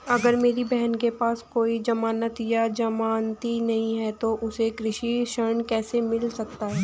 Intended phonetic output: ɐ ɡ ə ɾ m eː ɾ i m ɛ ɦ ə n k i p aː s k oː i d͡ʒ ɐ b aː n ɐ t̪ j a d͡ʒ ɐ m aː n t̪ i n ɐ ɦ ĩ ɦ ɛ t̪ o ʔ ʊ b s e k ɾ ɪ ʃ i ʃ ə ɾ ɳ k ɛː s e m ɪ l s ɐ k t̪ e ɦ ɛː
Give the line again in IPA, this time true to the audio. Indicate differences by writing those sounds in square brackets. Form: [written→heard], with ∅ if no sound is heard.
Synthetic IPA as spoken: ɐ ɡ ə ɾ m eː ɾ i [m→b] ɛ ɦ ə n k [i→e] p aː s k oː i d͡ʒ ɐ [b→m] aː n [ɐ→ə] t̪ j a d͡ʒ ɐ m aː n t̪ i n ɐ ɦ ĩ ɦ ɛ t̪ o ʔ ʊ [b→∅] s e k ɾ ɪ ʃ i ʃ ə ɾ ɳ k ɛː s e m ɪ l s ɐ k t̪ [e→a] ɦ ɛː